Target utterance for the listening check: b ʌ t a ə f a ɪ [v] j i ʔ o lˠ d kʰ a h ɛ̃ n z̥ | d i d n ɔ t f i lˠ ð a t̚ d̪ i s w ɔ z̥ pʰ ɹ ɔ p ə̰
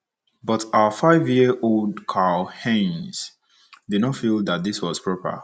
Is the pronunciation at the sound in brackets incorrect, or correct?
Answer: correct